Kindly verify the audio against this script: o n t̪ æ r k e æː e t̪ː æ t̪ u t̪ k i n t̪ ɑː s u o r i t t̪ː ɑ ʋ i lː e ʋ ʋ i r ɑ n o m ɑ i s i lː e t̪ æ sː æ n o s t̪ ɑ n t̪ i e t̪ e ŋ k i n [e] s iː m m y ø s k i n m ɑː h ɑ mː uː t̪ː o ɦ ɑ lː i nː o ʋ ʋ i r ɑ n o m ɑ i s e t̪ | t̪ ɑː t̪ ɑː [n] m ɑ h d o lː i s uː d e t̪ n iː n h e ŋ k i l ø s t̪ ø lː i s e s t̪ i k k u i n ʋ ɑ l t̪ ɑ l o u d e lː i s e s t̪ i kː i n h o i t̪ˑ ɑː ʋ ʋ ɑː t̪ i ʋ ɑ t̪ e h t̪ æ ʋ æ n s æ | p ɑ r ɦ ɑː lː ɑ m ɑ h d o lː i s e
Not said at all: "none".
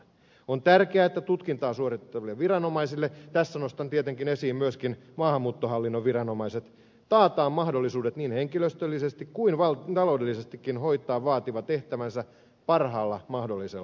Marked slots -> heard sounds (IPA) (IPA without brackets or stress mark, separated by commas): e, m